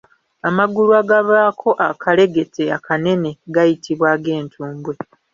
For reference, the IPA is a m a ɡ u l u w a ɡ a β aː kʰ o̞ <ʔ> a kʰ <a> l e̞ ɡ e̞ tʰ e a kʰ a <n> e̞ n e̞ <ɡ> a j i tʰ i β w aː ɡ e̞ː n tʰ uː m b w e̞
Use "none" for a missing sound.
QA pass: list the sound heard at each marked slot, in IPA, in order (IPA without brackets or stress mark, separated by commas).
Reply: ʔ, a, n, ɡ